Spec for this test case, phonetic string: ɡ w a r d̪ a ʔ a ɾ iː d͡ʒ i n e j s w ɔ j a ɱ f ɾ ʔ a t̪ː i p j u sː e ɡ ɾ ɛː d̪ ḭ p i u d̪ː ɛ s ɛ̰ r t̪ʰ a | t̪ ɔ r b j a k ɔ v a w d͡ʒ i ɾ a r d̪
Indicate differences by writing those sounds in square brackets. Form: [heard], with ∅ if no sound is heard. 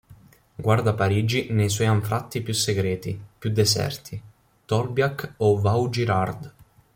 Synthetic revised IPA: ɡ w a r d̪ a [p] a ɾ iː d͡ʒ i n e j s w ɔ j a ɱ f ɾ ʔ a t̪ː i p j u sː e ɡ ɾ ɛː [t̪] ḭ p [j] u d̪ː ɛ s ɛ̰ r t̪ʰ [i] | t̪ ɔ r b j a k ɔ v a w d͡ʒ i ɾ a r d̪